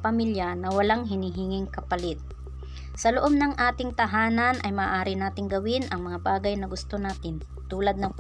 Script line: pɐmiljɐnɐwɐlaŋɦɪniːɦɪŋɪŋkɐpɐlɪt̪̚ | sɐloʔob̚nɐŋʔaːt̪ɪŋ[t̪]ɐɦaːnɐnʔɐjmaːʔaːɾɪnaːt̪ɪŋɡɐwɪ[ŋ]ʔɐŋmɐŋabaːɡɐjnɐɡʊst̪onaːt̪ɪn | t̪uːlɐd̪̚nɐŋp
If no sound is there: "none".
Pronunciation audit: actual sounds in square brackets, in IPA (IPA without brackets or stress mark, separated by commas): t̪, n